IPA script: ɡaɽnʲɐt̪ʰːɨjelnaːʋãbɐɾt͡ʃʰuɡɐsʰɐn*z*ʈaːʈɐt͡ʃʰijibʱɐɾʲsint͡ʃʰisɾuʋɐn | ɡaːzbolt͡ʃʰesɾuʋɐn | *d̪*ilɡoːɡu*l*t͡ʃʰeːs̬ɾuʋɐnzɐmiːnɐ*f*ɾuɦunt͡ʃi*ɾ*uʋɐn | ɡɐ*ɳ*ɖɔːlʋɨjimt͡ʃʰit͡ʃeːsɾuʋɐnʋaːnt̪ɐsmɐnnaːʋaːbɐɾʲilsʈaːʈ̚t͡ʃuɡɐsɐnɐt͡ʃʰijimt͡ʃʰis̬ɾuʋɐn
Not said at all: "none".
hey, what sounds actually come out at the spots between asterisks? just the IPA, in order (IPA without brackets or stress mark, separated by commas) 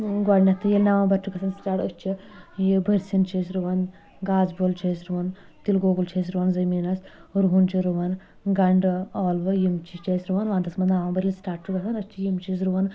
s, t̪, l, s, ɾ, ɳ